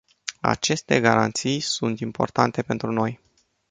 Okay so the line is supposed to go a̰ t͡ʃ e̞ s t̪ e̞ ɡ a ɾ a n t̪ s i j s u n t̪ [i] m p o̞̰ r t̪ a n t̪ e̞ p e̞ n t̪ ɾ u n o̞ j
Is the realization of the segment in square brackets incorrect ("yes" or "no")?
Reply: no